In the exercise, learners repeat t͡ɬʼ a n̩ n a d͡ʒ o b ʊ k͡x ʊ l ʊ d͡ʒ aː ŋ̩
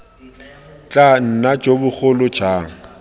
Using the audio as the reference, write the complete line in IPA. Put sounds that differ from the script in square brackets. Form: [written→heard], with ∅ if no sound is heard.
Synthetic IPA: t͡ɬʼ a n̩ n a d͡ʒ o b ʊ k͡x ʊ l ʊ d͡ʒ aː ŋ̩